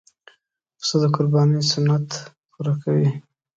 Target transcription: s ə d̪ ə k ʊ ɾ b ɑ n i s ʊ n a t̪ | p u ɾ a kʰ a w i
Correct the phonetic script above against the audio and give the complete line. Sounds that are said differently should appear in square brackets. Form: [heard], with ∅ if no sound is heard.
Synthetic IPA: s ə d̪ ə k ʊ ɾ b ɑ n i s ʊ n a t̪ | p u ɾ a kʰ a w i